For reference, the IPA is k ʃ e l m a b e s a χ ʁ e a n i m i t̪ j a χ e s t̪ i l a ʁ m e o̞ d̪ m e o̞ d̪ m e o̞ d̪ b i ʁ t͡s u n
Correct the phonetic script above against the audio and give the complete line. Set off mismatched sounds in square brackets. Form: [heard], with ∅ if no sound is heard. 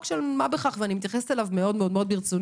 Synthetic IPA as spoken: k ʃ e l m a b e [χ] a χ [v] e a n i m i t̪ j a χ e s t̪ [e] l a [v] m e o̞ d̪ m e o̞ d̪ m e o̞ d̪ b i ʁ t͡s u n